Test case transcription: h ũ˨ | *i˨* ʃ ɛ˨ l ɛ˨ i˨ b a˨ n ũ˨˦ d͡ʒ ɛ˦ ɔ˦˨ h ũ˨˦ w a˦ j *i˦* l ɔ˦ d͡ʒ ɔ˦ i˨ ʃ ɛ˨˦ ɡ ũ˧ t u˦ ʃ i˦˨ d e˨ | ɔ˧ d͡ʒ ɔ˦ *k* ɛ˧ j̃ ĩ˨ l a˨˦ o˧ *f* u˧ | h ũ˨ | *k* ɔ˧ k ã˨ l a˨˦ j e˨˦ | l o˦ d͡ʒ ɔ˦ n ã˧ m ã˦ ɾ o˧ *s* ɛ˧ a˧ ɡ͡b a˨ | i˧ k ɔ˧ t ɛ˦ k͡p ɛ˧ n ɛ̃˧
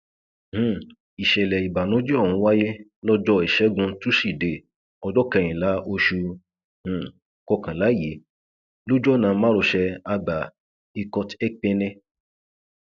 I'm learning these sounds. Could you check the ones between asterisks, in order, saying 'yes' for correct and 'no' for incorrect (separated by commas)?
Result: yes, no, yes, no, yes, no